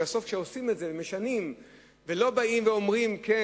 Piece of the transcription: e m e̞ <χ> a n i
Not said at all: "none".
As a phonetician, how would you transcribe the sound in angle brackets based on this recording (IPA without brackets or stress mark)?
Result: ʃ